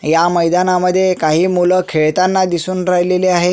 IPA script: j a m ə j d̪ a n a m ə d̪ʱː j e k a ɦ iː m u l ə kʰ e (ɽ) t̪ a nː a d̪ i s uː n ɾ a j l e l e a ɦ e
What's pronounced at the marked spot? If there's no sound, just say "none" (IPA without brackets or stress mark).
ɭ